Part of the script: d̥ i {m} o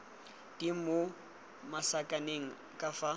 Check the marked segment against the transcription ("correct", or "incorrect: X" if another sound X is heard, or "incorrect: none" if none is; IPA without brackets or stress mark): correct